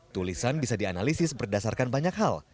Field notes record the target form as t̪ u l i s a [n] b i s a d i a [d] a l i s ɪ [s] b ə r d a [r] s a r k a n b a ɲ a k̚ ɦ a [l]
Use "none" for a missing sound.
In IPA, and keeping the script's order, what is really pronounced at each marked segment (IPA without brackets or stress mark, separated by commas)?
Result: n, n, s, none, l